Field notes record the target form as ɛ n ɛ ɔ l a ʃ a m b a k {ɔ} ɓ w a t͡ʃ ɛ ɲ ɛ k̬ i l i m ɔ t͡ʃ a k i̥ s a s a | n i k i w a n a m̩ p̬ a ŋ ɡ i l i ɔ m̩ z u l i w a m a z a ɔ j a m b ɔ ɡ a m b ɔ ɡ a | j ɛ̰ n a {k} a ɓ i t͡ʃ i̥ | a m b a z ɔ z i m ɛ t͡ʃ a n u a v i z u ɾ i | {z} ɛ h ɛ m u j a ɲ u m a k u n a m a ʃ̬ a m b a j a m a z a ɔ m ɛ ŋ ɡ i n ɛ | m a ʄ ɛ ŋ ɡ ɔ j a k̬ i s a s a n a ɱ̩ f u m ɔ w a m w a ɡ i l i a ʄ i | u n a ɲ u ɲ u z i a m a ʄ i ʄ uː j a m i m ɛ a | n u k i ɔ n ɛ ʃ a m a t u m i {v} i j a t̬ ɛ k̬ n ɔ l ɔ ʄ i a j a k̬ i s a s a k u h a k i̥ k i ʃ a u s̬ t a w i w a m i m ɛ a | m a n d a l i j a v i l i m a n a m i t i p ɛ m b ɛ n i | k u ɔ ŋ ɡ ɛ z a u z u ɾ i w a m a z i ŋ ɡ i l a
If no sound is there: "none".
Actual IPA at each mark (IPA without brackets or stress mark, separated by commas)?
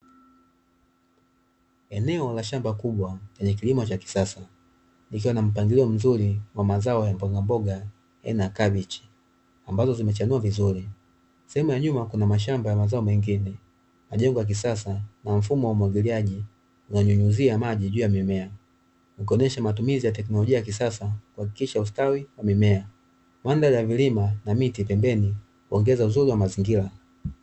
u, k, s, z